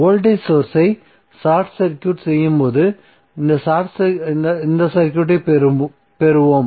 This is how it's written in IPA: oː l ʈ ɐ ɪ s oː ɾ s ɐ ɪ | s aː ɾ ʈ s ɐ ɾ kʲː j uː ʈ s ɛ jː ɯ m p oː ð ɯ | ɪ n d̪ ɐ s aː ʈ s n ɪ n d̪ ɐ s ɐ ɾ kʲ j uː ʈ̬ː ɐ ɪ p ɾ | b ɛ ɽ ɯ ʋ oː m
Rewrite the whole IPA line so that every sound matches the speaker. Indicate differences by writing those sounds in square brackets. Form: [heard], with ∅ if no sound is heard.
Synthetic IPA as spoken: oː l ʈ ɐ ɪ s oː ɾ s ɐ ɪ | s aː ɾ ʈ s ɐ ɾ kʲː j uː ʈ s ɛ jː ɯ m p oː ð ɯ | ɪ n d̪ ɐ s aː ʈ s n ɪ n d̪ ɐ s ɐ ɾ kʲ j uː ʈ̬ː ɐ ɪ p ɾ | [p] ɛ [ɾ] ɯ ʋ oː m

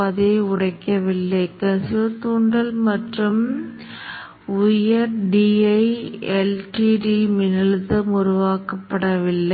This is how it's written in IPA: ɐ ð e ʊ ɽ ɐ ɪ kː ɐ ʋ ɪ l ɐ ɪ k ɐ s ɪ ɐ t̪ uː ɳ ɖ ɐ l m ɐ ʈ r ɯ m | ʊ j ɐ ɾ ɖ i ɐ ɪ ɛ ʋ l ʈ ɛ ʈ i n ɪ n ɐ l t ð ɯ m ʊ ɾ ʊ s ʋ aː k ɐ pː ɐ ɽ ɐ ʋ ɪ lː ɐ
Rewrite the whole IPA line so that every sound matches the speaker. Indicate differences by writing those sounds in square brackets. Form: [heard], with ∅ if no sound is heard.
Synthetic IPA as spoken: ɐ ð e ʊ ɽ ɐ ɪ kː ɐ ʋ ɪ [lː] ɐ ɪ k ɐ s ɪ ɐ t̪ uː ɳ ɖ ɐ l m ɐ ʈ r ɯ m | ʊ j ɐ ɾ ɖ i ɐ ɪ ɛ [∅] l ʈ [i] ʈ i [m] ɪ n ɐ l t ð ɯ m ʊ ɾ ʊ [∅] ʋ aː k ɐ pː ɐ ɽ ɐ ʋ ɪ lː ɐ

